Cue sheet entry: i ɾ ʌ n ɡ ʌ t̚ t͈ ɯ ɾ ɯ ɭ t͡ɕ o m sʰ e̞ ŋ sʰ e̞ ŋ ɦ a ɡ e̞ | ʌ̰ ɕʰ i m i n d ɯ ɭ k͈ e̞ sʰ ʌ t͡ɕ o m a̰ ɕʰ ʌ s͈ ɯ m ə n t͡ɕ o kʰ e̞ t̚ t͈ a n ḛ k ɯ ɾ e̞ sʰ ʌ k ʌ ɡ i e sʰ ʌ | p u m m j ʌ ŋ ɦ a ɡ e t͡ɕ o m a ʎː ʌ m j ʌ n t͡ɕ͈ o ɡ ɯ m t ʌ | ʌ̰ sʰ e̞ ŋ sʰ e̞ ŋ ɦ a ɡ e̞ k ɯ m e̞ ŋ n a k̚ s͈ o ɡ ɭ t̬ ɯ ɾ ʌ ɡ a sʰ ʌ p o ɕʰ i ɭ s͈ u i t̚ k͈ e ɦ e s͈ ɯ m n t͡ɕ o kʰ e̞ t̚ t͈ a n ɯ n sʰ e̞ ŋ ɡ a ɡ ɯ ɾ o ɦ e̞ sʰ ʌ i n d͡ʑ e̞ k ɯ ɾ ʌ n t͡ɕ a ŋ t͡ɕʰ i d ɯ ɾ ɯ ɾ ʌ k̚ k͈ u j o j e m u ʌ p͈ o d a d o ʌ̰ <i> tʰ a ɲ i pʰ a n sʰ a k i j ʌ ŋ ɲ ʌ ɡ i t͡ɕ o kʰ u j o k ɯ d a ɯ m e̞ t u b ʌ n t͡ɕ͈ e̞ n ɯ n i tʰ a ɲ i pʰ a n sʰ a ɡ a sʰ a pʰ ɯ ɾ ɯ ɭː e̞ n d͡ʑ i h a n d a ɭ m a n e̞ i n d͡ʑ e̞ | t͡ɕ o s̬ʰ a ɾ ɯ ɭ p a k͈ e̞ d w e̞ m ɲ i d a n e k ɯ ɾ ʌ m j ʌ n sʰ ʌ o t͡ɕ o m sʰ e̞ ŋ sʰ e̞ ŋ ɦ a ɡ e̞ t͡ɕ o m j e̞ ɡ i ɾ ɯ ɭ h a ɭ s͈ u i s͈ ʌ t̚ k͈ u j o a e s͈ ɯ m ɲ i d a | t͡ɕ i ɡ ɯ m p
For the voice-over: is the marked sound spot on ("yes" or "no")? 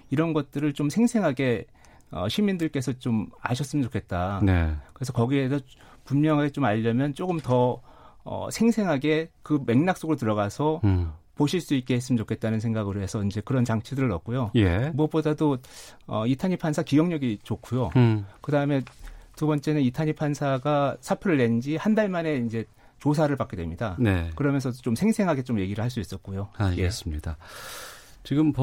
yes